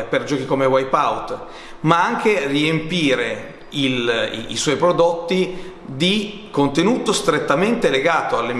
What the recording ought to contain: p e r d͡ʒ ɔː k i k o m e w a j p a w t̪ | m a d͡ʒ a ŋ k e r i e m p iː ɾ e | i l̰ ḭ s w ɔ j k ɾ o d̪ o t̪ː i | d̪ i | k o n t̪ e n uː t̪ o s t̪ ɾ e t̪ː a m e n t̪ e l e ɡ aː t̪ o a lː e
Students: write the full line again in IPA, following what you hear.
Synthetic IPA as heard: p e r d͡ʒ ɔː k i k o m e w a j p a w t̪ | m a a ŋ k e r i e m p iː ɾ e | i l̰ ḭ s w ɔ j p ɾ o d̪ o t̪ː i | d̪ i | k o n t̪ e n uː t̪ o s t̪ ɾ e t̪ː a m e n t̪ e l e ɡ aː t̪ o a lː e